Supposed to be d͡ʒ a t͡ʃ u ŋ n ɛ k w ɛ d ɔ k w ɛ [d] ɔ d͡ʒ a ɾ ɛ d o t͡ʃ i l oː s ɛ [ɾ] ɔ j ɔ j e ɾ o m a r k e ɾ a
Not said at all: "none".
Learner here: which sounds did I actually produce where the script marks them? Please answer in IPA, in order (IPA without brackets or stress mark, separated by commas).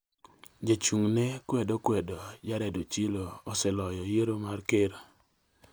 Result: d, l